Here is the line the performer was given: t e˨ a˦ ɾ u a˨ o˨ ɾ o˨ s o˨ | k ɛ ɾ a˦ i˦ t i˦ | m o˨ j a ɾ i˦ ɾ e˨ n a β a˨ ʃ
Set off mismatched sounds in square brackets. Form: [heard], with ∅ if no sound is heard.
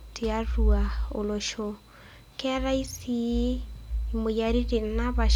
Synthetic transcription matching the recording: t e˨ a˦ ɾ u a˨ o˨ [l] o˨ [ʃ] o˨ | k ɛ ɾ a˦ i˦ [s] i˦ | m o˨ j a ɾ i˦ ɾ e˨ n a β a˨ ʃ